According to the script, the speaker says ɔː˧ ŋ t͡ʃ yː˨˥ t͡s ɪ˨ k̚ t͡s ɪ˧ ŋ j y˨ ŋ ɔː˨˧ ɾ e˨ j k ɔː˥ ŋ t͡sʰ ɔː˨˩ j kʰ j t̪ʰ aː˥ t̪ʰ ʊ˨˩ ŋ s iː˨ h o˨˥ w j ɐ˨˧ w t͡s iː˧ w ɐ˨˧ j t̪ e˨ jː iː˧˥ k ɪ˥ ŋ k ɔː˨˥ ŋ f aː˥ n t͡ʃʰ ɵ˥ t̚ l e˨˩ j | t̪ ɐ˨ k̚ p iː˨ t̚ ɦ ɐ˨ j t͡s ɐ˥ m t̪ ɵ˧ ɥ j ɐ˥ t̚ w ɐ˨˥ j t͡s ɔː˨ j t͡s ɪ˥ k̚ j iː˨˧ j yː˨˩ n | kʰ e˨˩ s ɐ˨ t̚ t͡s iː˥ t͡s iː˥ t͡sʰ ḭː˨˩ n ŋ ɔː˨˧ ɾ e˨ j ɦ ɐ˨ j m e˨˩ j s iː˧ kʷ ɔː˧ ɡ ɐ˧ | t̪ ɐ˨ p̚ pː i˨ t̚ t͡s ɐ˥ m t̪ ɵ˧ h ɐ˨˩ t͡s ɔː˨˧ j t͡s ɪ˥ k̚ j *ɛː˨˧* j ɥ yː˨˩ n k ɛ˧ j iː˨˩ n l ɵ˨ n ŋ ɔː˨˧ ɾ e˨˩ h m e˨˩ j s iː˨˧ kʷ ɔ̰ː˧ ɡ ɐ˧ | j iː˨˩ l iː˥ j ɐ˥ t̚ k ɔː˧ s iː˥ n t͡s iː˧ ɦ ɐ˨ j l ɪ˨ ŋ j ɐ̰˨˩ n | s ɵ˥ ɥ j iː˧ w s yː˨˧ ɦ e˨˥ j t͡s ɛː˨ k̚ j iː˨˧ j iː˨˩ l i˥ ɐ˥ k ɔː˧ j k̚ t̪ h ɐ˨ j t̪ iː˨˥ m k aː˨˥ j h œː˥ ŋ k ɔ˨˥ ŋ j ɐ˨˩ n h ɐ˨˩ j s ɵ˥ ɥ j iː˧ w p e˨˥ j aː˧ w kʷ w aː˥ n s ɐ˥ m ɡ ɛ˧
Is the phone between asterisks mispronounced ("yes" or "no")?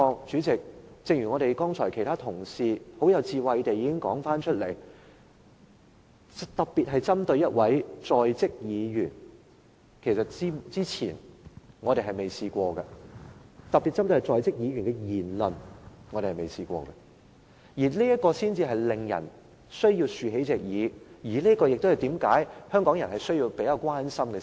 yes